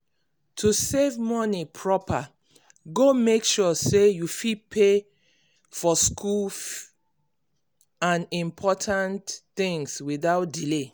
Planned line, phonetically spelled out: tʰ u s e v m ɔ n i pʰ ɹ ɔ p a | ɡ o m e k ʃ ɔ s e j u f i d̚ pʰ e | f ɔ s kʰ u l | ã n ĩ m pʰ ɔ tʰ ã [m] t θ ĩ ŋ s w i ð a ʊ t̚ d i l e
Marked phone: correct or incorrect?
incorrect